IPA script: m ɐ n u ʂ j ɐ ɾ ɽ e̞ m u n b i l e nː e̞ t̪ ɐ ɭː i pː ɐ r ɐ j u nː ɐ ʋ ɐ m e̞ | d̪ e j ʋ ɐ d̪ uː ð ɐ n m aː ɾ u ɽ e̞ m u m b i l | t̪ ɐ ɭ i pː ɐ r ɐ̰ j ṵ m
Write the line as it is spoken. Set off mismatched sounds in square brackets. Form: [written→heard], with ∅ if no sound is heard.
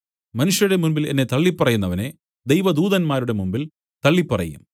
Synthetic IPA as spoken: m ɐ n u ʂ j ɐ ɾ ɽ e̞ m u n b i l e nː e̞ t̪ ɐ ɭː i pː ɐ r ɐ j u nː ɐ ʋ ɐ [m→n] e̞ | d̪ e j ʋ ɐ d̪ uː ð ɐ n m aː ɾ u ɽ e̞ m u m b i l | t̪ ɐ [ɭ→ɭː] i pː ɐ r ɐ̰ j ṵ m